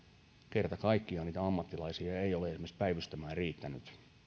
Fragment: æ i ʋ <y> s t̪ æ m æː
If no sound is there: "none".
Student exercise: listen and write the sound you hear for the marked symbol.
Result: y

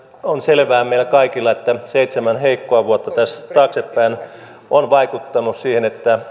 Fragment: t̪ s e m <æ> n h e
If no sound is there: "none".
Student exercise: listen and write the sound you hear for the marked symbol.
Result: æ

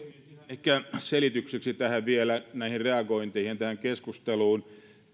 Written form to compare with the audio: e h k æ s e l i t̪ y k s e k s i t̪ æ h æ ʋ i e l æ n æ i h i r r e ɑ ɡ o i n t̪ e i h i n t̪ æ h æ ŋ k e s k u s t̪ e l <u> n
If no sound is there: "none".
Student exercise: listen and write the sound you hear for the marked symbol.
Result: uː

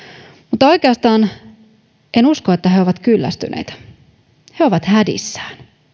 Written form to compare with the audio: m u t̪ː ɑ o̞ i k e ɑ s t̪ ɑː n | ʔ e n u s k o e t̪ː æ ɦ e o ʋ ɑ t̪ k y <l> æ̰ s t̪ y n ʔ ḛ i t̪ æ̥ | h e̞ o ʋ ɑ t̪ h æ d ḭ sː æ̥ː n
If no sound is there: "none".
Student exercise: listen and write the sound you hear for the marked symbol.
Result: lː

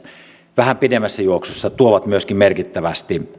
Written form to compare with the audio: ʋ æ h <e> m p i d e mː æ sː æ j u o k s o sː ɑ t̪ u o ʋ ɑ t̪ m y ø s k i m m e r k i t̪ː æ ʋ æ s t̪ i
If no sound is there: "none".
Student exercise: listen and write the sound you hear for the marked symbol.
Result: æ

